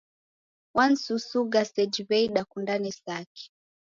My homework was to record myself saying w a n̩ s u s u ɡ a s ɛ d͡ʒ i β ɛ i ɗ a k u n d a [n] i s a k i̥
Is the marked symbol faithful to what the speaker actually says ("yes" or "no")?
yes